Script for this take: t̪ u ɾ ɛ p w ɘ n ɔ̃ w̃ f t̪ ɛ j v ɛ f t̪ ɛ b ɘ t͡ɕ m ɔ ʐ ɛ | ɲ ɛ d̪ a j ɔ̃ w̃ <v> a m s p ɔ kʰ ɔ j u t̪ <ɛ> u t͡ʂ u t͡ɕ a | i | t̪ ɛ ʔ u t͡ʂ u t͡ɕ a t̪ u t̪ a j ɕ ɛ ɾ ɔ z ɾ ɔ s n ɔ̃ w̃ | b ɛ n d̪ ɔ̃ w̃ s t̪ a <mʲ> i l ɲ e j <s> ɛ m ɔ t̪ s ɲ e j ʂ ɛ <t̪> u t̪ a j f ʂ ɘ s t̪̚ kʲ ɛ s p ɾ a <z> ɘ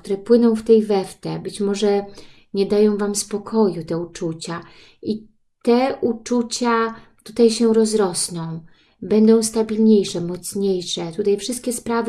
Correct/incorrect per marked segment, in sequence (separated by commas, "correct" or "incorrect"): correct, correct, incorrect, incorrect, correct, incorrect